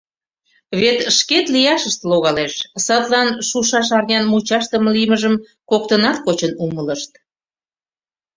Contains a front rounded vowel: no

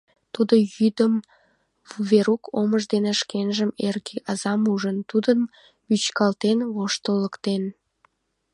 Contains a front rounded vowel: yes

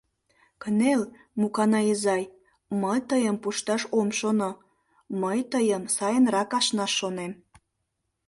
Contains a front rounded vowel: no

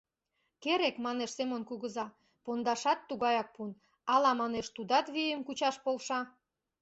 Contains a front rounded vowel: no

